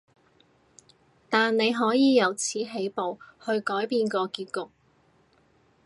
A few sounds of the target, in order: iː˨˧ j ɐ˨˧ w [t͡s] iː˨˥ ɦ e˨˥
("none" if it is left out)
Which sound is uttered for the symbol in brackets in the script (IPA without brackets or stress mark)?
t͡sʰ